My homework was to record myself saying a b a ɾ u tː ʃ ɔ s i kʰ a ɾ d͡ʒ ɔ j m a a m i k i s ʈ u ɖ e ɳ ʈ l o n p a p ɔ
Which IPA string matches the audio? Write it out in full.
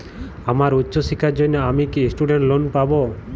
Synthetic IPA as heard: a m a ɾ u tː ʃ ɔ s i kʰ a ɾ d͡ʒ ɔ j n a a m i k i s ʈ u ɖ e ɳ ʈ l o n p a b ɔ